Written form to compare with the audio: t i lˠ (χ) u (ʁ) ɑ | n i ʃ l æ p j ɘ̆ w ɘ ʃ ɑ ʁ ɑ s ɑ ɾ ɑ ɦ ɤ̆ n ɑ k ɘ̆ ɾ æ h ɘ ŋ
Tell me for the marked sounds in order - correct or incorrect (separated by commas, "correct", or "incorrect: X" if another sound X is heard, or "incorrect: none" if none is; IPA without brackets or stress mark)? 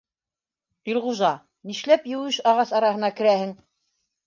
incorrect: ʁ, incorrect: ʒ